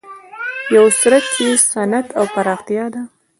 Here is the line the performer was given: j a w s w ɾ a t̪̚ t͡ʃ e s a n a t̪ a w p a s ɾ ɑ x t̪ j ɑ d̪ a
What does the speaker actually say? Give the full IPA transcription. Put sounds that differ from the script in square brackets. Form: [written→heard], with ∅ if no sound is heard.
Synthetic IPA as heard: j a w s [w→u] ɾ a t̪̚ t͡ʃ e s a n a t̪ a w p a [s→∅] ɾ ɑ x t̪ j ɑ d̪ a